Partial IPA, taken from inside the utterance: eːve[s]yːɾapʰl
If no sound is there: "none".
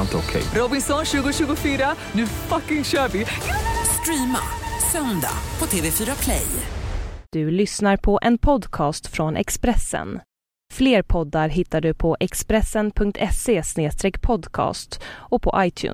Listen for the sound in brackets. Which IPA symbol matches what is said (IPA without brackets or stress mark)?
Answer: f